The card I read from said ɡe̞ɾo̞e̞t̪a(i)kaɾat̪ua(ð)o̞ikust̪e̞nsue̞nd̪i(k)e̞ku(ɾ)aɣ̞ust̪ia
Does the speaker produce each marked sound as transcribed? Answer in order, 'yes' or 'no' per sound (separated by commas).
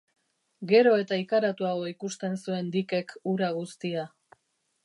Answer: yes, no, yes, yes